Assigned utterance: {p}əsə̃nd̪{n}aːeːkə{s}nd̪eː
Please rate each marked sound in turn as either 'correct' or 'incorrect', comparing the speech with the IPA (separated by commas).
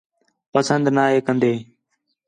correct, correct, incorrect